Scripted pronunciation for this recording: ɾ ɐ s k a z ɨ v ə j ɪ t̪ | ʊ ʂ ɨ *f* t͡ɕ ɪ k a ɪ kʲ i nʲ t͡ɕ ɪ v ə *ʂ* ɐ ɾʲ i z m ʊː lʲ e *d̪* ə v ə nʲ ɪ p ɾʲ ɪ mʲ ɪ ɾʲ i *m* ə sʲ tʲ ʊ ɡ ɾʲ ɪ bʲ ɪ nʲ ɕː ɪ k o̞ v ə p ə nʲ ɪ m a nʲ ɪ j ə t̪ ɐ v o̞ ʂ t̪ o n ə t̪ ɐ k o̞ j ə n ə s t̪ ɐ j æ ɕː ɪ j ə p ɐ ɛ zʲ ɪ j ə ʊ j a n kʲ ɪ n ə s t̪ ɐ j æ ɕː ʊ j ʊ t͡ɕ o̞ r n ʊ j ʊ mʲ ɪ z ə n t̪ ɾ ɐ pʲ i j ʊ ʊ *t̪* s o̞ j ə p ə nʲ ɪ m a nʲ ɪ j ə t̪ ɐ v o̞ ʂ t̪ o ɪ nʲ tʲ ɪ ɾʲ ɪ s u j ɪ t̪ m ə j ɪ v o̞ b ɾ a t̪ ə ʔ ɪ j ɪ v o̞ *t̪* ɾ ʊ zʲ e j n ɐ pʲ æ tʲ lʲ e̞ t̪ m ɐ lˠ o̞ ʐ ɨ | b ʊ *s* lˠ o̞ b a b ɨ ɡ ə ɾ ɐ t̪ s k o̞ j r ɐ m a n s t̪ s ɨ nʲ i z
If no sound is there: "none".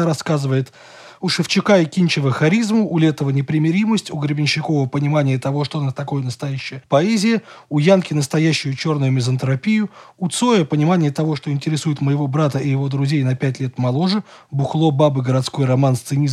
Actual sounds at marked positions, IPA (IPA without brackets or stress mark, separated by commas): f, x, t̪, m, t̪, d̪, x